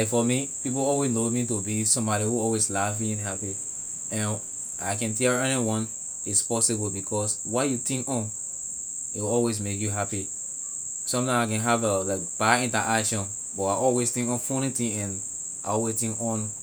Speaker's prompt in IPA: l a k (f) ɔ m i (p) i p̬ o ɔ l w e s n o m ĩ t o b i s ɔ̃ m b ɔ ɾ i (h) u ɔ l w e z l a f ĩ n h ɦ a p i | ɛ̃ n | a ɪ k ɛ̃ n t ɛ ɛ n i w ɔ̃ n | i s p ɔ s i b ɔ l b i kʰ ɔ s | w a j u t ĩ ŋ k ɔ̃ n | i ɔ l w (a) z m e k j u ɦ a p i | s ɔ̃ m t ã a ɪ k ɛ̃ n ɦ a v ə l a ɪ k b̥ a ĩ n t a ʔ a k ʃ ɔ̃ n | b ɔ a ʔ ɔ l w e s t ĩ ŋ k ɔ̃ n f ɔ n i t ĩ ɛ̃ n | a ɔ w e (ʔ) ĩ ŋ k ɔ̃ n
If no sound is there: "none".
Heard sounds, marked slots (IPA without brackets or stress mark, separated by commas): f, p, h, e, t